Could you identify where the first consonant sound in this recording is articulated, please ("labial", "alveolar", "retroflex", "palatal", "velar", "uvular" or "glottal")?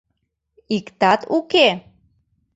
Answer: velar